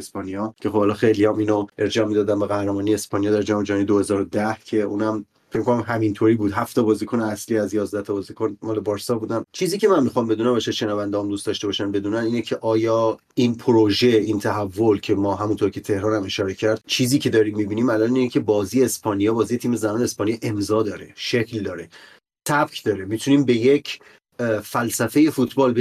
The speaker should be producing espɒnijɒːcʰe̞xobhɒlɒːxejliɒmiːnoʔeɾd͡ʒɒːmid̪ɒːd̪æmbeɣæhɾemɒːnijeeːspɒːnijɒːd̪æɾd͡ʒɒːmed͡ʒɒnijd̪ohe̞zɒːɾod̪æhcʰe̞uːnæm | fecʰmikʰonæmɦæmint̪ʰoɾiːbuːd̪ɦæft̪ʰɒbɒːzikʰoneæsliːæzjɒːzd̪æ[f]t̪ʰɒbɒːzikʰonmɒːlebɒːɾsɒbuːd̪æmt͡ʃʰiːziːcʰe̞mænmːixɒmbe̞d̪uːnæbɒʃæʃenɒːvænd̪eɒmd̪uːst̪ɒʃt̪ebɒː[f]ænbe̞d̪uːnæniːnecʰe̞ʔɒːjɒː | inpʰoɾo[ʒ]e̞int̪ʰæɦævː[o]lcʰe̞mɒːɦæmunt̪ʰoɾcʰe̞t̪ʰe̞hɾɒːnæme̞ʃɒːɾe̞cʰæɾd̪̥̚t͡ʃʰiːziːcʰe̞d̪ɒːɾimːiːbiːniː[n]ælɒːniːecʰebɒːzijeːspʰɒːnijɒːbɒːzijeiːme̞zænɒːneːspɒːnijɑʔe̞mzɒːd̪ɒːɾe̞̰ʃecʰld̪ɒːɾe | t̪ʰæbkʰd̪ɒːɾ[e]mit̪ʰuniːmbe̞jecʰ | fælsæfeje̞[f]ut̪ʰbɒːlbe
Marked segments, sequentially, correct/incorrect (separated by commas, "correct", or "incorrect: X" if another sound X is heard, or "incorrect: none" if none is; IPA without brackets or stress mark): incorrect: h, incorrect: ʃ, correct, correct, incorrect: m, correct, correct